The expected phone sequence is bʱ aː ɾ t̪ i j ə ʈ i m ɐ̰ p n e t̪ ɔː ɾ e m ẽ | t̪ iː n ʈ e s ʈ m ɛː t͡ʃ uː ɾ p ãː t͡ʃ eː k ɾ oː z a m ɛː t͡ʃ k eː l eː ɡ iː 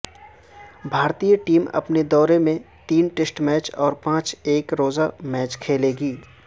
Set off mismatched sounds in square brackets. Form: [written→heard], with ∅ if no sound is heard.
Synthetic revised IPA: bʱ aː ɾ t̪ i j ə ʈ [i→iː] m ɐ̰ p n e [t̪→d̪] ɔː ɾ e m ẽ | t̪ iː n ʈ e s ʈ m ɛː t͡ʃ [uː→ɔː] ɾ p ãː t͡ʃ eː k ɾ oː z a m ɛː t͡ʃ [k→kʰ] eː l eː ɡ iː